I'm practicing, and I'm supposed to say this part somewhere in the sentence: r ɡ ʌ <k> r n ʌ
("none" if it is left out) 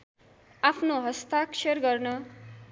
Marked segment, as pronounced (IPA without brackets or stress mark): none